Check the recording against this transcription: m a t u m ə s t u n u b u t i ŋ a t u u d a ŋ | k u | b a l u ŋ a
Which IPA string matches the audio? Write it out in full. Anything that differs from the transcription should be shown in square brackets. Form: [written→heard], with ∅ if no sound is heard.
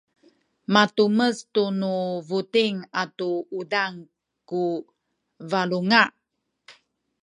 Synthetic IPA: m a t u m ə s t u n u [b→v] u t i ŋ a t u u d a ŋ | k u | [b→v] a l u ŋ a